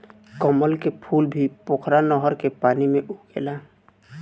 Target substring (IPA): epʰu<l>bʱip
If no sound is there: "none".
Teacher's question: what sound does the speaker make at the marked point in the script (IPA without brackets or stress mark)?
l